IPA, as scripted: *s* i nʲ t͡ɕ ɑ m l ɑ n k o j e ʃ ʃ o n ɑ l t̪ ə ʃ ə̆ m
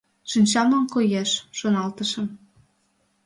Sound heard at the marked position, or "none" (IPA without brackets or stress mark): ʃ